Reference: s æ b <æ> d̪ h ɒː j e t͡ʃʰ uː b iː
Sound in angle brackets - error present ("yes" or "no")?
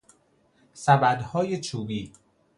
no